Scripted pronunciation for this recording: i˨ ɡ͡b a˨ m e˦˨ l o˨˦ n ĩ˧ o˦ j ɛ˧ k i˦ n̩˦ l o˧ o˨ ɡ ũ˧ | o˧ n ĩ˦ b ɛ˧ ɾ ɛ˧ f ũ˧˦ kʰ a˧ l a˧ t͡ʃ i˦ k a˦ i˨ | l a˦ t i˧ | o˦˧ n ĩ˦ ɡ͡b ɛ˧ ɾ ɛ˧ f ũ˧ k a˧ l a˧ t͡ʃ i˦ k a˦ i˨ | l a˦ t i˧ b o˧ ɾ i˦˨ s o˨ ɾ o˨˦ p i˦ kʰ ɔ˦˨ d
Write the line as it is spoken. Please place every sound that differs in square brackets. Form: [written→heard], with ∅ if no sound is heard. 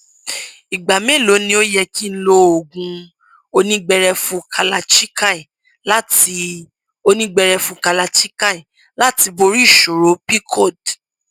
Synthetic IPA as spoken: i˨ ɡ͡b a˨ m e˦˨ l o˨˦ n ĩ˧ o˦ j ɛ˧ k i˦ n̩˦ l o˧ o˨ ɡ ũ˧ | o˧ n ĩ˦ [b→ɡ͡b] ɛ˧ ɾ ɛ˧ f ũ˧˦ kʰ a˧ l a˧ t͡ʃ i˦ k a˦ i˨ | l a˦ t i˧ | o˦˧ n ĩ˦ ɡ͡b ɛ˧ ɾ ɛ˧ f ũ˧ k a˧ l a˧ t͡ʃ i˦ k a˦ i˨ | l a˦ t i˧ b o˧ ɾ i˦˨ [s→ʃ] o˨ ɾ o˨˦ p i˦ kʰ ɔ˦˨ d

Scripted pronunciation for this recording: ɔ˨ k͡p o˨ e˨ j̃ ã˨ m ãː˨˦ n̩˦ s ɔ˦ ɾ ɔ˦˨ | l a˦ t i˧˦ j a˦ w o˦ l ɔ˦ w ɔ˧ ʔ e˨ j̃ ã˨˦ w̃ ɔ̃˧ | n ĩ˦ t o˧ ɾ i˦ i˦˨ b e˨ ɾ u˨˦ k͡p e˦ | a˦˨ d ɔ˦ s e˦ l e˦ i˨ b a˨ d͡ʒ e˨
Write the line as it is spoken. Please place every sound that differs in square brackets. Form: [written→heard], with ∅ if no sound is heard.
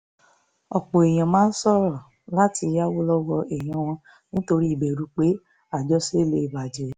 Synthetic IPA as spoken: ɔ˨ k͡p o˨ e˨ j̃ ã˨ m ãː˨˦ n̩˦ s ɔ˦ ɾ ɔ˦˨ | l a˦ t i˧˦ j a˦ w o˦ l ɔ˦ w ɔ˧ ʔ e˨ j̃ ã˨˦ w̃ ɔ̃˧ | n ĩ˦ t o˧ ɾ i˦ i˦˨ b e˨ ɾ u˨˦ k͡p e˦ | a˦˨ [d→d͡ʒ] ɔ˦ s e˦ l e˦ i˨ b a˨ d͡ʒ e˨

